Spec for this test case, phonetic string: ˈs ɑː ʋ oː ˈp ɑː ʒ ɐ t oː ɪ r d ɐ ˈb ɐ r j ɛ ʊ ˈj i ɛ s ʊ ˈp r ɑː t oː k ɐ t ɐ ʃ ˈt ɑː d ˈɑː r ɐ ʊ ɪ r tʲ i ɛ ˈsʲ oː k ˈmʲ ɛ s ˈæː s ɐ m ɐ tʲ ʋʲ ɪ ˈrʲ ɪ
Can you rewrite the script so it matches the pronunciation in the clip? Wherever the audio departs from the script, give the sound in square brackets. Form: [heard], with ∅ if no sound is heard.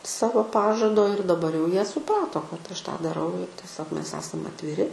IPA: ˈs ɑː ʋ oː ˈp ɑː ʒ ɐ [d] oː ɪ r d ɐ ˈb ɐ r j ɛ ʊ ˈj i ɛ s ʊ ˈp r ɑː t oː k ɐ t ɐ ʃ ˈt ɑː d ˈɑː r ɐ ʊ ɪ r tʲ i ɛ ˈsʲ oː k ˈmʲ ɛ s ˈæː s ɐ m ɐ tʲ ʋʲ ɪ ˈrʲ ɪ